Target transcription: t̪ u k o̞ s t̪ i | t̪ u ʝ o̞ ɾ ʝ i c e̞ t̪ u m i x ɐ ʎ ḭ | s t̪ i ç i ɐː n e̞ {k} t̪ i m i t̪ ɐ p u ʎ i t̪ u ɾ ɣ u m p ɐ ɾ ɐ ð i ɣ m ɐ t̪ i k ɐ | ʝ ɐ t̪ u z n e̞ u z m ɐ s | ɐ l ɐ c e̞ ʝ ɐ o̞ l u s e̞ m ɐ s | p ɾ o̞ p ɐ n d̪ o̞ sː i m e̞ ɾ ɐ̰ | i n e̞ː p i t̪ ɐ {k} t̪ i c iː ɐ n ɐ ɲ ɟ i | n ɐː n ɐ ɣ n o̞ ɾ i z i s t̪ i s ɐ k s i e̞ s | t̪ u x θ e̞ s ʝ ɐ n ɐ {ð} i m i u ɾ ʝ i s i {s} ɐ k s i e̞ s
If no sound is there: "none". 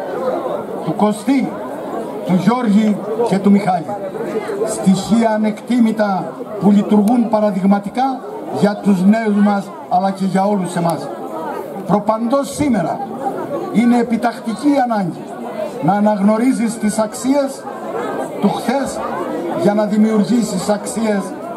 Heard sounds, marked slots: k, x, ð, s

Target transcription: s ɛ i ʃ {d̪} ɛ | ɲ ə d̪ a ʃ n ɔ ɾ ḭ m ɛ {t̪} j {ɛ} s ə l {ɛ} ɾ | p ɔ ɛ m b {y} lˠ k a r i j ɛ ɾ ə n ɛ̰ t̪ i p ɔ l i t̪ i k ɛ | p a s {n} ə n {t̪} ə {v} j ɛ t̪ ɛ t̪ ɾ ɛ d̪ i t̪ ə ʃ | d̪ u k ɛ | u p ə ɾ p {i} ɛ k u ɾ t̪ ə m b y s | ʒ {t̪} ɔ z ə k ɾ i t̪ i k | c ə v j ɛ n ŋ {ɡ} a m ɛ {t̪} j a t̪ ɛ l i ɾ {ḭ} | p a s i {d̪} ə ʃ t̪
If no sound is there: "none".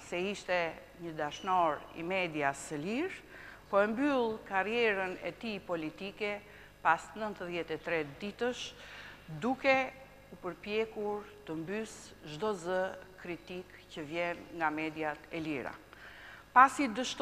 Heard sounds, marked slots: t̪, d̪, a, i, y, n, t̪, ð, j, d̪, ɡ, d̪, a̰, d̪

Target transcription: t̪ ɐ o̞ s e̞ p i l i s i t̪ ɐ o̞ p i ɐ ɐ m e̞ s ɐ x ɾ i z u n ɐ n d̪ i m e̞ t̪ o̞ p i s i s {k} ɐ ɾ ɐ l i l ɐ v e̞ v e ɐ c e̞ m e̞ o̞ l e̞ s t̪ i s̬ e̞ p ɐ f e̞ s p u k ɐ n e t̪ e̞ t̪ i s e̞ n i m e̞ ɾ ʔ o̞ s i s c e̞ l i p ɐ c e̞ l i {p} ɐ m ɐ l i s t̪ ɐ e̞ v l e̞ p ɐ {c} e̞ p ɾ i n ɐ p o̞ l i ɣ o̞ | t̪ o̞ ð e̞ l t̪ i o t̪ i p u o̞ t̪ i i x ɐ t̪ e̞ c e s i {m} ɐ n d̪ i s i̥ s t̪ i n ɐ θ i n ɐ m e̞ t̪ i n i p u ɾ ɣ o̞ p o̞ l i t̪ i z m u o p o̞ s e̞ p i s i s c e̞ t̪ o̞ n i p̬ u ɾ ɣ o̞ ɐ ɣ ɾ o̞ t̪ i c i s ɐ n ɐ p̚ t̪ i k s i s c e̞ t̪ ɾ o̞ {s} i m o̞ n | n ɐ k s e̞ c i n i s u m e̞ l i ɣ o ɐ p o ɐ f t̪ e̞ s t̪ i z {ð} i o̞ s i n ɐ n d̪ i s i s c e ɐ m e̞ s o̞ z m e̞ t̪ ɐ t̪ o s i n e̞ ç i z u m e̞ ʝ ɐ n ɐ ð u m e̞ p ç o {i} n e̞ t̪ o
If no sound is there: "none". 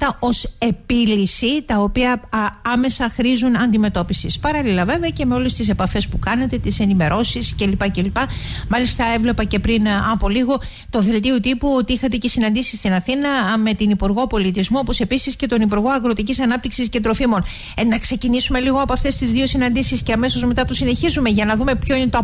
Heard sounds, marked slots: p, p, c, n, f, ð, i

